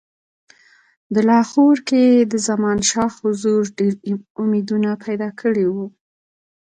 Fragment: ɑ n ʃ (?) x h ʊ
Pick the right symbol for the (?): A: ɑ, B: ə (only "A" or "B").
A